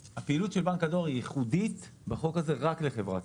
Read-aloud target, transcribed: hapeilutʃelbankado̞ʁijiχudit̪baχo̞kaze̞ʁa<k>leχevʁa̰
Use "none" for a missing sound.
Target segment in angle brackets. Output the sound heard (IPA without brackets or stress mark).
k